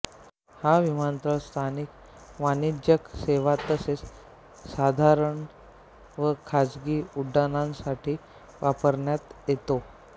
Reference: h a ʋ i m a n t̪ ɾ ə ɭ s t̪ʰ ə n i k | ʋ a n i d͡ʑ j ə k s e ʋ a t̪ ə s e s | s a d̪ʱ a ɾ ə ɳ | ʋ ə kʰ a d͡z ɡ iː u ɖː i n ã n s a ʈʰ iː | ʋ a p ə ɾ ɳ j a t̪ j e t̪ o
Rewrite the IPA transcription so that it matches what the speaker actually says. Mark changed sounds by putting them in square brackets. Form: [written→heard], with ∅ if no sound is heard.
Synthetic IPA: h a ʋ i m a n t̪ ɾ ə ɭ s t̪ʰ [ə→a] n i k | ʋ a n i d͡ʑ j ə k s e ʋ a t̪ ə s e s | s a d̪ʱ a ɾ ə ɳ | ʋ ə kʰ a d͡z ɡ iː u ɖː [i→a] n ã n s a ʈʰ iː | ʋ a p ə ɾ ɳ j a t̪ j e t̪ o

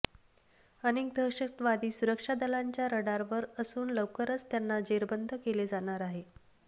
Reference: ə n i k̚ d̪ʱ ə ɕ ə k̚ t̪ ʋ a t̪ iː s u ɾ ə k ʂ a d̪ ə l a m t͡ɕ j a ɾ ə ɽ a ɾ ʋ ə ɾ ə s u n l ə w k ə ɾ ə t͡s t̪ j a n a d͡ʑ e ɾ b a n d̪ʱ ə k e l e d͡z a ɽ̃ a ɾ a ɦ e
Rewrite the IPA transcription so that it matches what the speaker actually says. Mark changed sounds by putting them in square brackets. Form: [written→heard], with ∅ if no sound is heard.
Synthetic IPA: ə n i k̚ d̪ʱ ə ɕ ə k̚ t̪ ʋ a [t̪→d̪] iː s u ɾ ə k ʂ a d̪ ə l a [m→ɲ] t͡ɕ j a ɾ ə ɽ a ɾ ʋ ə ɾ ə s [u→uː] n l ə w k ə ɾ ə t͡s t̪ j a [n→nː] a d͡ʑ e ɾ b [a→ə] n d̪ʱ ə k e l e d͡z a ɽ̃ a ɾ a ɦ e

